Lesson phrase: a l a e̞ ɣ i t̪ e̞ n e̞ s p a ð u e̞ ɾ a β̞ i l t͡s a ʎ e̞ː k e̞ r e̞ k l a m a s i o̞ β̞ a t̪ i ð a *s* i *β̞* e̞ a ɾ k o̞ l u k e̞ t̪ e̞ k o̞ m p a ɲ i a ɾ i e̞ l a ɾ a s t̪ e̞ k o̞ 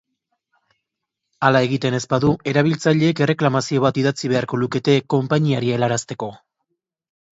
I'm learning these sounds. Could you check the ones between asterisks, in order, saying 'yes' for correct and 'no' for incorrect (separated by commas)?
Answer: no, yes